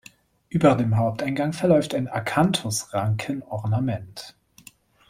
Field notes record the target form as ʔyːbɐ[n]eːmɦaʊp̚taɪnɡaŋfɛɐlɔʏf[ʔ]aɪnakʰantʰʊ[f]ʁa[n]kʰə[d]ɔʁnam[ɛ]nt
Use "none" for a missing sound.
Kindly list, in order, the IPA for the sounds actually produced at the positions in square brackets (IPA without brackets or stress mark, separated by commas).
d, t, s, ŋ, n, ɛ